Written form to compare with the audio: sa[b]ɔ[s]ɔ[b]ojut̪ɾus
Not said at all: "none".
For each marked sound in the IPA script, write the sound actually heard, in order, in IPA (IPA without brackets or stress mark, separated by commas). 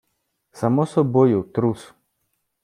m, s, b